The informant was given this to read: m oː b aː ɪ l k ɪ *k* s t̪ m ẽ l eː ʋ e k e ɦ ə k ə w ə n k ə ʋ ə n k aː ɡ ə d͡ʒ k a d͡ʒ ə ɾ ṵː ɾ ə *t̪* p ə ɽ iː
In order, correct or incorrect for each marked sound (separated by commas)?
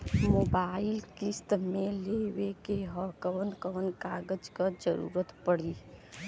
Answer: incorrect, correct